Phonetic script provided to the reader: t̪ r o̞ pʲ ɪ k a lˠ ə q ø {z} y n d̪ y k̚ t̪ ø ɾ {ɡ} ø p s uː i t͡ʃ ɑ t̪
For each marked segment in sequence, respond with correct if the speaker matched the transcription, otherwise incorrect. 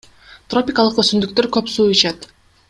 incorrect, incorrect

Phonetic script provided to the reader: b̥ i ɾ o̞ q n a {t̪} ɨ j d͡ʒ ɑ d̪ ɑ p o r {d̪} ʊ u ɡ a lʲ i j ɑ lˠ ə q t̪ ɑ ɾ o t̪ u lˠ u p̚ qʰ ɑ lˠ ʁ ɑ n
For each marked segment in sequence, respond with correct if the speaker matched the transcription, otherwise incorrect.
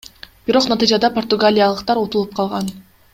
correct, incorrect

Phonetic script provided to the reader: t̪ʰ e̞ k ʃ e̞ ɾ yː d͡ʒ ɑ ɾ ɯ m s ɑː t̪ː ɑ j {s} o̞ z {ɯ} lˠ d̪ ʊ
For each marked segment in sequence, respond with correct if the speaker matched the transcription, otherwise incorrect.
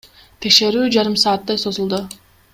correct, incorrect

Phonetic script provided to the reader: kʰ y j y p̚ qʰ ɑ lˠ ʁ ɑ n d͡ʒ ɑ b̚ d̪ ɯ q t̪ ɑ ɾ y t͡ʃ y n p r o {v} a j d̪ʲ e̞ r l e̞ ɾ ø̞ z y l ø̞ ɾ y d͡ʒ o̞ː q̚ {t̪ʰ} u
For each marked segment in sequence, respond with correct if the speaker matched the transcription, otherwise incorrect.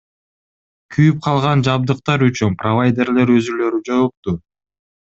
correct, incorrect

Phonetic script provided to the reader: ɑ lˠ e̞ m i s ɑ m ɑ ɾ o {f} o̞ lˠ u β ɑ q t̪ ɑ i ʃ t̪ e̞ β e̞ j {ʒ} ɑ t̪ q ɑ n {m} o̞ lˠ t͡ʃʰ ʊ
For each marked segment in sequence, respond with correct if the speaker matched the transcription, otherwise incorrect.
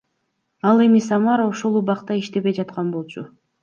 incorrect, incorrect, incorrect

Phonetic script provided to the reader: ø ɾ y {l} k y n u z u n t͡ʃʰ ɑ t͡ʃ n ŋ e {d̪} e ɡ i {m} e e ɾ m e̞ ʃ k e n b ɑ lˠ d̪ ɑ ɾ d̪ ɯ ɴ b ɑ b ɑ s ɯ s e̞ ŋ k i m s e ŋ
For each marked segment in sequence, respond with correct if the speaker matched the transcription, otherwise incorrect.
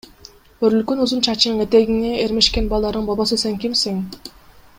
correct, incorrect, incorrect

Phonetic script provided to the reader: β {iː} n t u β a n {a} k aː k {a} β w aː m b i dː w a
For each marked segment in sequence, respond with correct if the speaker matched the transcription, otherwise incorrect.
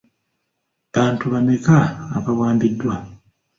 incorrect, incorrect, correct

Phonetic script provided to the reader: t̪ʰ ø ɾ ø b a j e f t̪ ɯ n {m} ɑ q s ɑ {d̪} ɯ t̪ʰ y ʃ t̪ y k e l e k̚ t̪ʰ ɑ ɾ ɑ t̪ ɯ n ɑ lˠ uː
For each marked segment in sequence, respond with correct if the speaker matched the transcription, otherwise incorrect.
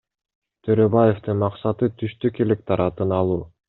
correct, incorrect

